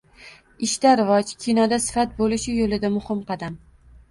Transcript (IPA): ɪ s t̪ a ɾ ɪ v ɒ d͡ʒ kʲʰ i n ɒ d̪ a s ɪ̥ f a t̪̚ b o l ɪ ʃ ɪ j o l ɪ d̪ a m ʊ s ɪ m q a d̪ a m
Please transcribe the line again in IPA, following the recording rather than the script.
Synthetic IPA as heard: ɪ ʃ t̪ a ɾ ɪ v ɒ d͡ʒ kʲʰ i n ɒ d̪ a s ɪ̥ f a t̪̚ b o l ɪ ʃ ɪ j o l ɪ d̪ a m ʊ h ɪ m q ɑ d̪ a m